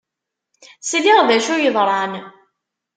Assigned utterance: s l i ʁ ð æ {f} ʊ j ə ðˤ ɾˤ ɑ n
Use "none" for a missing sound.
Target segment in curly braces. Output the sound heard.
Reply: ʃ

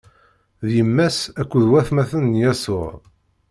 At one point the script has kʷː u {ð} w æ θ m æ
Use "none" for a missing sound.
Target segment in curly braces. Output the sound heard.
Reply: ð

